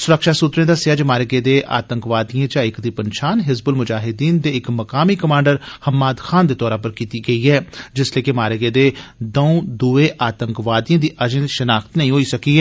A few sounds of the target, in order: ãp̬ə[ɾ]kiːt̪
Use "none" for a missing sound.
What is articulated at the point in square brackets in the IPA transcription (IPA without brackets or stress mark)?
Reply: ɾ